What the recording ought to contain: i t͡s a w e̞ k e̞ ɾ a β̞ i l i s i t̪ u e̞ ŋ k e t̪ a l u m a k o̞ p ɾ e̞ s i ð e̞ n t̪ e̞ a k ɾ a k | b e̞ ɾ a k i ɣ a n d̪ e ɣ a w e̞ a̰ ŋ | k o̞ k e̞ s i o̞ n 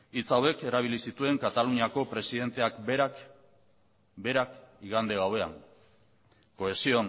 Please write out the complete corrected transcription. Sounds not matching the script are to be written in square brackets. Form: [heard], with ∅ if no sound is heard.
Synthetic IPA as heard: i t͡s a w e̞ k e̞ ɾ a β̞ i l i s i t̪ u e̞ ŋ k [a] t̪ a l u [ɲ] a k o̞ p ɾ e̞ s i ð e̞ n t̪ e̞ a k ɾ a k | b e̞ ɾ a k i ɣ a n d̪ e ɣ a w e̞ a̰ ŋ | k o̞ [∅] e̞ s i o̞ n

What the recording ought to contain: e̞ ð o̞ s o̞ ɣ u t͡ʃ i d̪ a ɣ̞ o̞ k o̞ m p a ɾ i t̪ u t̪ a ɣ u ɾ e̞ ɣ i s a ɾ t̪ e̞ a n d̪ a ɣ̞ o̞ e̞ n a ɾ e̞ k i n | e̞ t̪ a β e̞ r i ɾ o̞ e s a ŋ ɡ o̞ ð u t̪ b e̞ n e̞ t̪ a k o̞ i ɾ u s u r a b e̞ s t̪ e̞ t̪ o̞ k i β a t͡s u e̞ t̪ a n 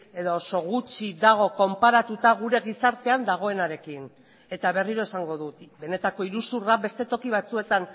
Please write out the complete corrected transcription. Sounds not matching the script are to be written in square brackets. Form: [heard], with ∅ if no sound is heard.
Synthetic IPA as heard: e̞ ð o̞ s o̞ ɣ u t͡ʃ i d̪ a ɣ̞ o̞ k o̞ m p a ɾ [a] t̪ u t̪ a ɣ u ɾ e̞ ɣ i s a ɾ t̪ e̞ a n d̪ a ɣ̞ o̞ e̞ n a ɾ e̞ k i n | e̞ t̪ a β e̞ r i ɾ o̞ e s a ŋ ɡ o̞ ð u t̪ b e̞ n e̞ t̪ a k o̞ i ɾ u s u r a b e̞ s t̪ e̞ t̪ o̞ k i β a t͡s u e̞ t̪ a n

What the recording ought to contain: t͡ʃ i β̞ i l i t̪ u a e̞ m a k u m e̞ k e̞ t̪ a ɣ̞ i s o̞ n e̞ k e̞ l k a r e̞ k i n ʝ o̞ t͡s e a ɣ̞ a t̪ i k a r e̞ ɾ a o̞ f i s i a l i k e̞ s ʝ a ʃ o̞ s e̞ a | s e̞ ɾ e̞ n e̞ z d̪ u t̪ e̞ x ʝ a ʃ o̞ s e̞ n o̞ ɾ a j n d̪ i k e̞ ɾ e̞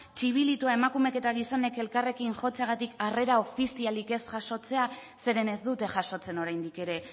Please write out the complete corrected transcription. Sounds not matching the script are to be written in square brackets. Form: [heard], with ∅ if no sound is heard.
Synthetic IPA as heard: t͡ʃ i β̞ i l i t̪ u a e̞ m a k u m e̞ k e̞ t̪ a ɣ̞ i s o̞ n e̞ k e̞ l k a r e̞ k i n ʝ o̞ t͡s e a ɣ̞ a t̪ i k a r e̞ ɾ a o̞ f i s i a l i k e̞ s ʝ a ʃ o̞ [t͡s] e̞ a | s e̞ ɾ e̞ n e̞ z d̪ u t̪ e̞ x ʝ a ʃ o̞ [t͡s] e̞ n o̞ ɾ a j n d̪ i k e̞ ɾ e̞

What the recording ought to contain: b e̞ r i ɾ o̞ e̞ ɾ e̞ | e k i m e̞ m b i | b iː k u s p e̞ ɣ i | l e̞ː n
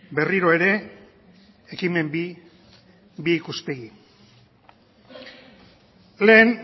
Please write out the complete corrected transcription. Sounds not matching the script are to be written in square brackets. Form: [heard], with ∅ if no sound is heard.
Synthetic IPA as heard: b e̞ r i ɾ o̞ e̞ ɾ e̞ | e k i m e̞ m b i | b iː k u s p e̞ ɣ i | l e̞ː n

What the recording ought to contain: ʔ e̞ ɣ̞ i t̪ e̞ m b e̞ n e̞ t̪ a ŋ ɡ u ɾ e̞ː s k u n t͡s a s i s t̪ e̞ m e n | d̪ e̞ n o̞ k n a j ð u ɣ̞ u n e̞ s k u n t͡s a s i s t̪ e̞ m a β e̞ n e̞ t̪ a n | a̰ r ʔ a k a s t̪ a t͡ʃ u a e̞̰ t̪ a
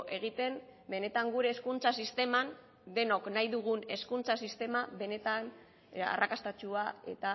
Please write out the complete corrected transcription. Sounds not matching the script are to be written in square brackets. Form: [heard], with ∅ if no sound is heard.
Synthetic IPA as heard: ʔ e̞ ɣ̞ i t̪ e̞ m b e̞ n e̞ t̪ a ŋ ɡ u ɾ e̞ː s k u n t͡s a s i s t̪ e̞ m [a] n | d̪ e̞ n o̞ k n a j ð u ɣ̞ u n e̞ s k u n t͡s a s i s t̪ e̞ m a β e̞ n e̞ t̪ a n | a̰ r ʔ a k a s t̪ a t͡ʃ u a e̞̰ t̪ a

